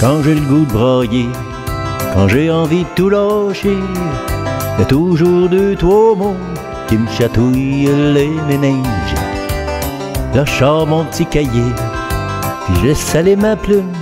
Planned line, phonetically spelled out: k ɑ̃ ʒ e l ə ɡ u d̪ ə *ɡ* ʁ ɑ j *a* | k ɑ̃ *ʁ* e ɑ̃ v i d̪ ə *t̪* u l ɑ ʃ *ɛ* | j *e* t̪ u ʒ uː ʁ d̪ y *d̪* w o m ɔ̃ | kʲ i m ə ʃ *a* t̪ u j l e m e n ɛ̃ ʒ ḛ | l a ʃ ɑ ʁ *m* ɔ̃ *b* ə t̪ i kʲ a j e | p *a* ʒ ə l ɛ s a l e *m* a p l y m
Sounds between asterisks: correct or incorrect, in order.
incorrect: b, incorrect: e, incorrect: ʒ, correct, incorrect: e, incorrect: a, incorrect: t̪, correct, correct, incorrect: p, incorrect: i, correct

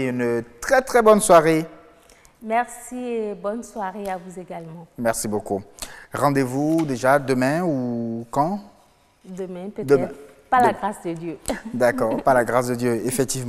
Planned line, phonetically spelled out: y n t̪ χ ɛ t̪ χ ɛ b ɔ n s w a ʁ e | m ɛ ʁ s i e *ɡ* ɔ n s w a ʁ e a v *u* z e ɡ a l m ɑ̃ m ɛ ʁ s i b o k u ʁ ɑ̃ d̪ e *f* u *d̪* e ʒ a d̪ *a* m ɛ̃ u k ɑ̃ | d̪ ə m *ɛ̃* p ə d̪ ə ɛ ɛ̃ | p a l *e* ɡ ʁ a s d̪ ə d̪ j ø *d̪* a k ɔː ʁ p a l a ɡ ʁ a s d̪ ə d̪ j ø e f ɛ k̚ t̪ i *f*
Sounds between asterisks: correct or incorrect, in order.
incorrect: b, correct, incorrect: v, correct, incorrect: ə, correct, incorrect: a, correct, incorrect: v

